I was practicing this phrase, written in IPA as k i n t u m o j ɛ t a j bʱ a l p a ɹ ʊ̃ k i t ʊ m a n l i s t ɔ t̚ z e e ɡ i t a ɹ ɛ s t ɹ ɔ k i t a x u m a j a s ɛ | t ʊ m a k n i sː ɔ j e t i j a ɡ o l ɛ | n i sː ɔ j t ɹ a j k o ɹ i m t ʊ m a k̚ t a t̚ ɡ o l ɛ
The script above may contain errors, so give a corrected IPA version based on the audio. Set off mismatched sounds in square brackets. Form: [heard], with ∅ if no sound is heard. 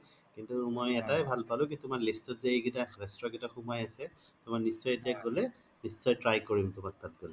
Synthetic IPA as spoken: k i n t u m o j ɛ t a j bʱ a l p a [l] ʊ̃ k i t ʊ m a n l i s t ɔ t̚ z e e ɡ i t a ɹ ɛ s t ɹ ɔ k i t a x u m a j a s ɛ | t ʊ m a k n i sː ɔ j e t i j a ɡ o l ɛ | n i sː ɔ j t ɹ a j k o ɹ i m t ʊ m a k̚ t a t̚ ɡ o l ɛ